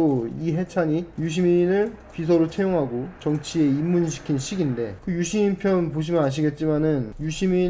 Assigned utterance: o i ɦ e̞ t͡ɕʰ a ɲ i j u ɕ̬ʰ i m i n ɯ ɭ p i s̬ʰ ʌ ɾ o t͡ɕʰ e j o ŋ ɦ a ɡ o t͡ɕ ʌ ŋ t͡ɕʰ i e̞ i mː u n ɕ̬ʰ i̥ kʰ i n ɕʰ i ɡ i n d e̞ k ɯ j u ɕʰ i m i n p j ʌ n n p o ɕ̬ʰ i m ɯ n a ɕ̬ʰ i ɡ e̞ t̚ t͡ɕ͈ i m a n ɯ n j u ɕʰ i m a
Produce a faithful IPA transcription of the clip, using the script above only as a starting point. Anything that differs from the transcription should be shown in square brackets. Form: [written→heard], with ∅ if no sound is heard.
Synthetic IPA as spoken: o i ɦ e̞ t͡ɕʰ a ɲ i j u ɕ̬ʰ i m i n ɯ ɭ p i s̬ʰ ʌ ɾ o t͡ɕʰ e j o ŋ ɦ a ɡ o t͡ɕ ʌ ŋ t͡ɕʰ i e̞ i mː u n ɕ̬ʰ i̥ kʰ i n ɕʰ i ɡ i n d e̞ k ɯ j u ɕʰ i m i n [p→pʰ] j ʌ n n p o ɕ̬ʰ i m ɯ n a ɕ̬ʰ i ɡ e̞ t̚ t͡ɕ͈ i m a n ɯ n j u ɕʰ i m [a→i]